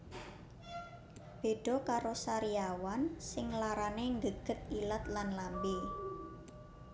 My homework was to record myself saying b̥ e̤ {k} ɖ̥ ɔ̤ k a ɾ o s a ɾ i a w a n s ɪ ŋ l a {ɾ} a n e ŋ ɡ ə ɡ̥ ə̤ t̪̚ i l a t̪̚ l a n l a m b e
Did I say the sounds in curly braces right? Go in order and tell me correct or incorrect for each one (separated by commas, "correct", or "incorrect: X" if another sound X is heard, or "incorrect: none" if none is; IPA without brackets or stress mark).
incorrect: none, correct